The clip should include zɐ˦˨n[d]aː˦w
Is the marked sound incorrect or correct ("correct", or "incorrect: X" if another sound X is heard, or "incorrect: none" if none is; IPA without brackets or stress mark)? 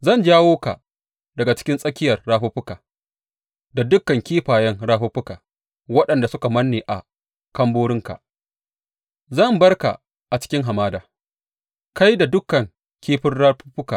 incorrect: d͡ʒ